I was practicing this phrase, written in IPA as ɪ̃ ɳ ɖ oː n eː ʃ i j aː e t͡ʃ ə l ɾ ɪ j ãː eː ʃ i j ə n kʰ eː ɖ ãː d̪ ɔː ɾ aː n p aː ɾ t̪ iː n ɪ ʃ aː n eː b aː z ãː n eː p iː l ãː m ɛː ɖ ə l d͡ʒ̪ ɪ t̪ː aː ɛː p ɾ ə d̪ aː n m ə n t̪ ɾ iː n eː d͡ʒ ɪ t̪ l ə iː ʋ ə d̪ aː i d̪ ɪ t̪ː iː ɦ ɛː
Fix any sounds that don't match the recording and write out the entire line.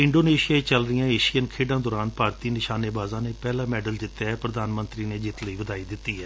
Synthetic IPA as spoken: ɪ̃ ɳ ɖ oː n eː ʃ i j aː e t͡ʃ ə l ɾ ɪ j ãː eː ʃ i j ə n kʰ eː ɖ ãː d̪ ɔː ɾ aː n p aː ɾ t̪ iː n ɪ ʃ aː n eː b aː z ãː n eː p ɛː l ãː m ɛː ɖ ə l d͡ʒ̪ ɪ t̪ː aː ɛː p ɾ ə d̪ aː n m ə n t̪ ɾ iː n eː d͡ʒ ɪ t̪ l ə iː ʋ ə d̪ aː i d̪ ɪ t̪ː iː ɦ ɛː

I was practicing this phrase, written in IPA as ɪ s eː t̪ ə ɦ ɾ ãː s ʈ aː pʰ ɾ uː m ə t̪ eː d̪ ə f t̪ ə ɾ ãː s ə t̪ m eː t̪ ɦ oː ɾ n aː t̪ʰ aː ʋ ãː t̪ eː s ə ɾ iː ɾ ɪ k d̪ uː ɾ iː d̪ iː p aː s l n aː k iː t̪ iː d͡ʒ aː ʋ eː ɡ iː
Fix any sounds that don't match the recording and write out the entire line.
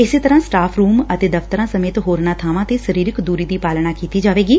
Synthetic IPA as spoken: ɪ s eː t̪ ə ɾ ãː s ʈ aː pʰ ɾ uː m ə t̪ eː d̪ ə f t̪ ə ɾ ãː s ə m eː t̪ ɦ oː ɾ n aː t̪ʰ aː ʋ ãː t̪ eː s ə ɾ iː ɾ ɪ k d̪ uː ɾ iː d̪ iː p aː l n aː k iː t̪ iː d͡ʒ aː ʋ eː ɡ iː

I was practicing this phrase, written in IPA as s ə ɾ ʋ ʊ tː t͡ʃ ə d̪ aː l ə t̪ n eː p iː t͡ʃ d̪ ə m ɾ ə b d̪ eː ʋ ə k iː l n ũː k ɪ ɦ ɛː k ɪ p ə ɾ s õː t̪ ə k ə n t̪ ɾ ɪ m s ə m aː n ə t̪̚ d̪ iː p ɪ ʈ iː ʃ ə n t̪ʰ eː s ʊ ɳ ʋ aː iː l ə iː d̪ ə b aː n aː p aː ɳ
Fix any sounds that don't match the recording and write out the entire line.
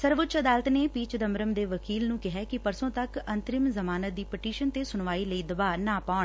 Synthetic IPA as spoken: s ə ɾ ʋ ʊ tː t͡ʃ ə d̪ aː l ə t̪ n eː p iː t͡ʃ d̪ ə m ɾ ə m d̪ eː ʋ ə k iː l n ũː k ɪ ɦ ɛː k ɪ p ə ɾ s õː t̪ ə k ə n t̪ ɾ ɪ m z ə m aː n ə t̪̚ d̪ iː p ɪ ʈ iː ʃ ə n t̪ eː s ʊ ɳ ʋ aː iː l ə iː d̪ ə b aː n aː p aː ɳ

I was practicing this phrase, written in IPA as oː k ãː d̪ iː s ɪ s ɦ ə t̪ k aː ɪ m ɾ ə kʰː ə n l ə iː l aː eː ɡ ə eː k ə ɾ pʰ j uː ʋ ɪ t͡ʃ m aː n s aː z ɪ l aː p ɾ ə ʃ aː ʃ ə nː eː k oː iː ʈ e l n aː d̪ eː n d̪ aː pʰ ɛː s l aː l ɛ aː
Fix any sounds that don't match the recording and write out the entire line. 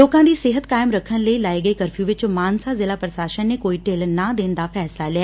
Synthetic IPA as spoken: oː k ãː d̪ iː s ɪ ɦ ə t̪ k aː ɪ m ɾ ə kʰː ə n l ə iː l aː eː ɡ ə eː k ə ɾ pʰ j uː ʋ ɪ t͡ʃ m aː n s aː z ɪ l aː p ɾ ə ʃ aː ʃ ə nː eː k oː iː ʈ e l n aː d̪ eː n d̪ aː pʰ ɛː s l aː l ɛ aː

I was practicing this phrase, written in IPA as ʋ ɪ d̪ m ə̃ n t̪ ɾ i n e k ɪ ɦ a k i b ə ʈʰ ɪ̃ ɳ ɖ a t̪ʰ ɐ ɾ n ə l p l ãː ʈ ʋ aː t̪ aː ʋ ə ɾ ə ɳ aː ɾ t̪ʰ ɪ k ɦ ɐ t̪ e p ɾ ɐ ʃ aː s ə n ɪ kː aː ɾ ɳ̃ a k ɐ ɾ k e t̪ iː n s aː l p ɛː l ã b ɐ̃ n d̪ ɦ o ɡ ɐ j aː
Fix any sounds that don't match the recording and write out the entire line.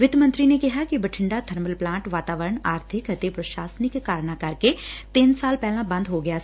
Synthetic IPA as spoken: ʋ ɪ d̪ m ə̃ n t̪ ɾ i n e k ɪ ɦ a k i b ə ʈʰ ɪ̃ ɳ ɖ a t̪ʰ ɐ ɾ m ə l p l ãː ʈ ʋ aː t̪ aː ʋ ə ɾ ə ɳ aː ɾ t̪ʰ ɪ k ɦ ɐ t̪ e p ɾ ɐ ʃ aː s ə n ɪ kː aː ɾ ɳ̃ a k ɐ ɾ k e t̪ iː n s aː l p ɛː l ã b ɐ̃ n d̪ ɦ o ɡ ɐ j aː

